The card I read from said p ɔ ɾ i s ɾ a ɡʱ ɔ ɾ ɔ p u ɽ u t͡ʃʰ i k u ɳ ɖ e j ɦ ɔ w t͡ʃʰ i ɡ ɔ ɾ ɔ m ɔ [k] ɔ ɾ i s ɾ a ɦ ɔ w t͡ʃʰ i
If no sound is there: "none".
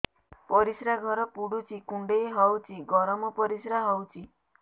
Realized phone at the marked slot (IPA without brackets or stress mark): p